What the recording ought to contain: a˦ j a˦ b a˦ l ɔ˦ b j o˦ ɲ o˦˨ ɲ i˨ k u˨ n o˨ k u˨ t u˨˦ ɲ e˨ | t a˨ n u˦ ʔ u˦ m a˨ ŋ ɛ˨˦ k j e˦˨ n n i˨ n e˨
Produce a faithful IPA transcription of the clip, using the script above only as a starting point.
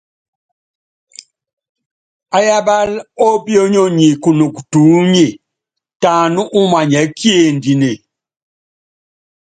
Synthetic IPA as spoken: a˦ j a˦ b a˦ l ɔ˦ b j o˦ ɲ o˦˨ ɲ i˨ k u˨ n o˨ k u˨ t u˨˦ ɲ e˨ | t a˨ n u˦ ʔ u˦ m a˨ ɲ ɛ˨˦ k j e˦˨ n d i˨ n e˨